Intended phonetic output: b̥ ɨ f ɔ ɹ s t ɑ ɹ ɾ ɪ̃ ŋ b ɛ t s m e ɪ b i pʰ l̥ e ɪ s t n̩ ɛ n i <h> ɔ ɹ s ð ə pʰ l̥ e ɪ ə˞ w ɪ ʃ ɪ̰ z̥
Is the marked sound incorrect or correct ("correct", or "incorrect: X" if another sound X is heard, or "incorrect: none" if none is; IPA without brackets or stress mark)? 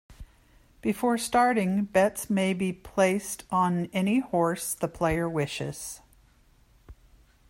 correct